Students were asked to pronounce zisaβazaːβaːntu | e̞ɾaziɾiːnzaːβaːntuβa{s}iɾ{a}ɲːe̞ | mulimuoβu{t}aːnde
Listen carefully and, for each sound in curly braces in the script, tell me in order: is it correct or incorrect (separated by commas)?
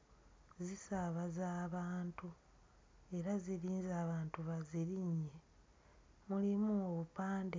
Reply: incorrect, incorrect, incorrect